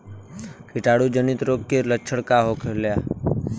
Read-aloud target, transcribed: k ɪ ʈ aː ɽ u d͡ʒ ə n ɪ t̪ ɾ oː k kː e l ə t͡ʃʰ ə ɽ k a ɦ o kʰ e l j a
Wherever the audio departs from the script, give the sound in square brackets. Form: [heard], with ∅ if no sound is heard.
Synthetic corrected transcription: k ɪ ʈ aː ɽ u d͡ʒ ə n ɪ t̪ ɾ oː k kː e l ə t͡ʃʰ ə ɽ k a ɦ o kʰ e l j a